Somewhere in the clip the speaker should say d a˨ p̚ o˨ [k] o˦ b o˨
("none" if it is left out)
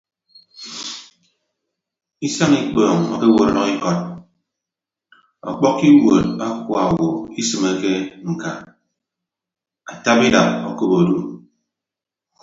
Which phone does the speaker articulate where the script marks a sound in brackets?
k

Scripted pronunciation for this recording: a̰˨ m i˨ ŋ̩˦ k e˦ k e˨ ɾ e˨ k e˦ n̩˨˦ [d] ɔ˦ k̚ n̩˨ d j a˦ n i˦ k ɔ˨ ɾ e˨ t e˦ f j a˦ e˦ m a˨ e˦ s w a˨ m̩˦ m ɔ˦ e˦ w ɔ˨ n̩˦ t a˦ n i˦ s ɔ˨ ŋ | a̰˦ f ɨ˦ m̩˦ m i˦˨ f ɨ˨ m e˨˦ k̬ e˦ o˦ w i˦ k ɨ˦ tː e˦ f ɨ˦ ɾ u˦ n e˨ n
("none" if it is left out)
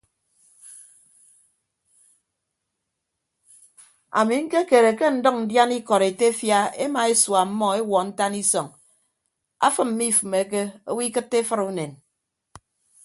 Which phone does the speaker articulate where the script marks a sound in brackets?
d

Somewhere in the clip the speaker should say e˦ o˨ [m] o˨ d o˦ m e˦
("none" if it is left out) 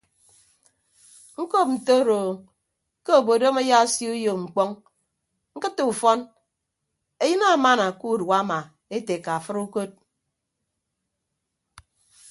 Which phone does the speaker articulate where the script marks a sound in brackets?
b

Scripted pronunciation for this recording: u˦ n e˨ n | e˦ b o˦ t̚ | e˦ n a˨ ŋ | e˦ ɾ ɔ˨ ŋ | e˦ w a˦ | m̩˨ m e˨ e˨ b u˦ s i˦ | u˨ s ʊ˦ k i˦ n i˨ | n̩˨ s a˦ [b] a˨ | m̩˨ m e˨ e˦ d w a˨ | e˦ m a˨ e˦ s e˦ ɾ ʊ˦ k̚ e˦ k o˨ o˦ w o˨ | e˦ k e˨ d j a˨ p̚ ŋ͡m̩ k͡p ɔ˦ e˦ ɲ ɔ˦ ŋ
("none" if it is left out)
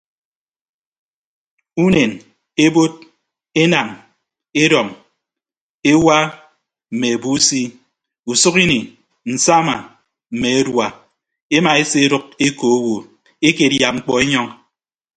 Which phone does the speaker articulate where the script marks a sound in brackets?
m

